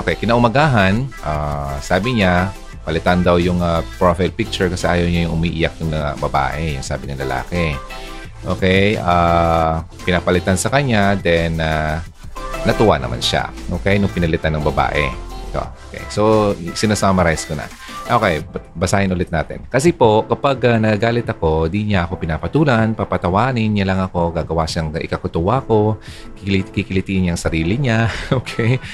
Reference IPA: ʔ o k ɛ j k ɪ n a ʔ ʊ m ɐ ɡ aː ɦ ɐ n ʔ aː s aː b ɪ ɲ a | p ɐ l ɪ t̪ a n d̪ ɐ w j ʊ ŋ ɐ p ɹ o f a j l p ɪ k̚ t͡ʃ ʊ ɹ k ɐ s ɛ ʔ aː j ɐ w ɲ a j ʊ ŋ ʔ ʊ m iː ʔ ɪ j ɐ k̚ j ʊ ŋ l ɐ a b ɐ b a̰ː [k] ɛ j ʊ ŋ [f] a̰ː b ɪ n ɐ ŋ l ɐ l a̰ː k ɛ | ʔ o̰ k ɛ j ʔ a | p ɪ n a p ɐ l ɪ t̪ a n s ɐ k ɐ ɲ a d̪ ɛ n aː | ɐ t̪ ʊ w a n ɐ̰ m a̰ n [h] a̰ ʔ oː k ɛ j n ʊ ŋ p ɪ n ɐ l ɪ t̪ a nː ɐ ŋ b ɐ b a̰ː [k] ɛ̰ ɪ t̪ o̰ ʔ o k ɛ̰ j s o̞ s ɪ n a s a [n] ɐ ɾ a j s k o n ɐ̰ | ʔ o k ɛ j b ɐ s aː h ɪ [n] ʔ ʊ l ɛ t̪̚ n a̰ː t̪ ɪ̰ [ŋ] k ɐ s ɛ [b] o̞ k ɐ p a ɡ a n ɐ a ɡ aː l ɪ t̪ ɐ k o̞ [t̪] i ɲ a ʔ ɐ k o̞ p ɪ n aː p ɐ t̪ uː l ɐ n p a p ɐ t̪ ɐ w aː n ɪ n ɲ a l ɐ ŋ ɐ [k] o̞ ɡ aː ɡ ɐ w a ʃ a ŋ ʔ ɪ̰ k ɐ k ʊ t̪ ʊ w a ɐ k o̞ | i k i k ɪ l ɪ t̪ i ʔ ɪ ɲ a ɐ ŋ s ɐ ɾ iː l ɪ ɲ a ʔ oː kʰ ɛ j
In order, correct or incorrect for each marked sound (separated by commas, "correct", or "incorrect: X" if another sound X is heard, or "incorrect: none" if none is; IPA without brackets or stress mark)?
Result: incorrect: ʔ, incorrect: s, incorrect: ʃ, incorrect: ʔ, incorrect: m, correct, incorrect: n, incorrect: p, incorrect: d̪, correct